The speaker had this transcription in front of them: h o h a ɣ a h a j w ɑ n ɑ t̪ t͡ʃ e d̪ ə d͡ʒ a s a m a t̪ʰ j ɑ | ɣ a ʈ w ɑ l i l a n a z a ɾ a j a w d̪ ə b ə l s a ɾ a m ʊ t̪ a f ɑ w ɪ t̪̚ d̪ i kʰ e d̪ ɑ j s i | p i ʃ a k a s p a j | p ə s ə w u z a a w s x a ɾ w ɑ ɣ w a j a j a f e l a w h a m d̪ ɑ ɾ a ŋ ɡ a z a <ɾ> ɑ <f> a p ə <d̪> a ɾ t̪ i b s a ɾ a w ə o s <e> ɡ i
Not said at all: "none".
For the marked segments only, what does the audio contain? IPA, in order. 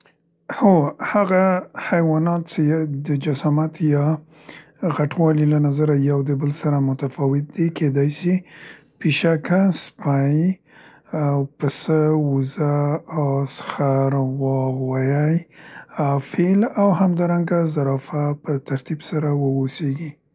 ɾ, f, t̪, e

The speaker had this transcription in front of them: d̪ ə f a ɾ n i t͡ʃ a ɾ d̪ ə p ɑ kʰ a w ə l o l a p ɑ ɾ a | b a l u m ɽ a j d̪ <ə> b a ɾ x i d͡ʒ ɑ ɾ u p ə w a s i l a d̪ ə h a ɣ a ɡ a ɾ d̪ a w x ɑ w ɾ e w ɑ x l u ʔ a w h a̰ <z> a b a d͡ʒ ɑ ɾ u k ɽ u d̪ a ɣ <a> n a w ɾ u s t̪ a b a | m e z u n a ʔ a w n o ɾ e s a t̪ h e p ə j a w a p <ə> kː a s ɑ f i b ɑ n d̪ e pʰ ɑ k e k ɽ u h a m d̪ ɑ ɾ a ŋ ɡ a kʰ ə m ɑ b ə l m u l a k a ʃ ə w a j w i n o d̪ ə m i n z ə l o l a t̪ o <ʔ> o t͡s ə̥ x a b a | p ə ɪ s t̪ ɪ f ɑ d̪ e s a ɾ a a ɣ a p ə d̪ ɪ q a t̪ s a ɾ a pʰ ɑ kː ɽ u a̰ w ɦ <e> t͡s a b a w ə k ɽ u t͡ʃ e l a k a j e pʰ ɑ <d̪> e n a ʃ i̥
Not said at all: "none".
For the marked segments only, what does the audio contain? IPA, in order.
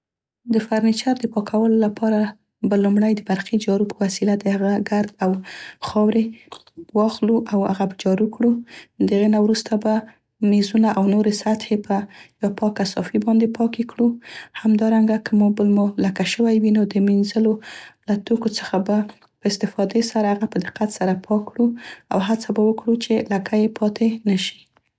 ə, ɣ, e, ɑ, k, a, t̪

